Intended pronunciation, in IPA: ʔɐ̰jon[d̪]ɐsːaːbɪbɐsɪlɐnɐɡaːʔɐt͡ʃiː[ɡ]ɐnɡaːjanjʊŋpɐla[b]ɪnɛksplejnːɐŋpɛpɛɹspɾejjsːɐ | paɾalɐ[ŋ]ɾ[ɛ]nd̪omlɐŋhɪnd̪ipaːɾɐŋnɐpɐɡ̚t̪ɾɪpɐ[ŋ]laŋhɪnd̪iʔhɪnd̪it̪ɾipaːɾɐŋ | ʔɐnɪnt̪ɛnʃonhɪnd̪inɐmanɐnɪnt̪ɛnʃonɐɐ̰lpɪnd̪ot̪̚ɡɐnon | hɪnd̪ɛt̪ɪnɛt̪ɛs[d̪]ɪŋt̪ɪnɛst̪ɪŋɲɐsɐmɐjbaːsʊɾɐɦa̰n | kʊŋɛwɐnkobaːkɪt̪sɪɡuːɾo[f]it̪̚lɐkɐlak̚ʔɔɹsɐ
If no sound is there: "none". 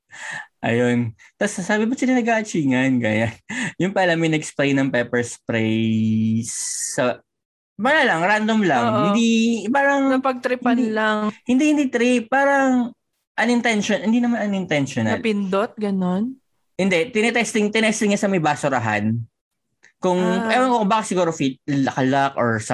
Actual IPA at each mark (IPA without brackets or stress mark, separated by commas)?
t̪, ŋ, m, ŋ, a, n, t̪, f